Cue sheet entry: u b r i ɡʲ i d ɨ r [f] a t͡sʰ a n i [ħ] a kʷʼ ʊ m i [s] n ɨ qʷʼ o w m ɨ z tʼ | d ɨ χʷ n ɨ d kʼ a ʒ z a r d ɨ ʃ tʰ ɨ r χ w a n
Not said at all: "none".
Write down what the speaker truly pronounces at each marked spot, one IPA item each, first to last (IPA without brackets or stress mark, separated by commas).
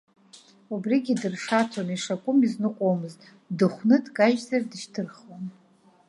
ʂ, ʂ, z